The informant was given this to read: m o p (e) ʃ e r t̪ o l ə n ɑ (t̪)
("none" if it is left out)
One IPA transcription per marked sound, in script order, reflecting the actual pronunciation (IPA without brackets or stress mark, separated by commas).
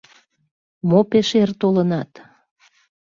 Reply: e, t̪